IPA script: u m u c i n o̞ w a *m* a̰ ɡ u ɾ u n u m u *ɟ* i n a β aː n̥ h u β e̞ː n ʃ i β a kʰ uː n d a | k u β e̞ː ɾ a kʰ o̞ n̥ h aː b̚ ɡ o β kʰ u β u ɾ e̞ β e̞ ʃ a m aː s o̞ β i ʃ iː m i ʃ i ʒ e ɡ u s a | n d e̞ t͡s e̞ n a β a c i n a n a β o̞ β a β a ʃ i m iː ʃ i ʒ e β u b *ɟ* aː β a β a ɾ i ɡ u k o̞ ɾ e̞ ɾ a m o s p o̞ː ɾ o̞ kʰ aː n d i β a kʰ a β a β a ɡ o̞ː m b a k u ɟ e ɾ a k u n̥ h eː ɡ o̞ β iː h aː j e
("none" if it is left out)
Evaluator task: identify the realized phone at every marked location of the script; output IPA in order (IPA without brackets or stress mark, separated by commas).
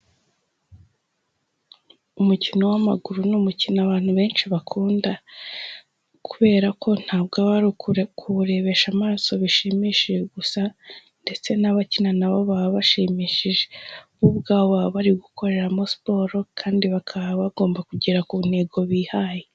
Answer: m, c, ɡ